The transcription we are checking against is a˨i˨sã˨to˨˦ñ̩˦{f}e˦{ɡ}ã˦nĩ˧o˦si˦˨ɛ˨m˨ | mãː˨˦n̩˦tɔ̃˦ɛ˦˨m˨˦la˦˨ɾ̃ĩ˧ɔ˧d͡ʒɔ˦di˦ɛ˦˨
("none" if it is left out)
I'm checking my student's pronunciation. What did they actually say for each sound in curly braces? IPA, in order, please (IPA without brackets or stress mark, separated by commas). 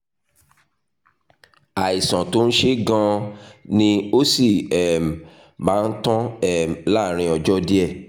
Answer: ʃ, ɡ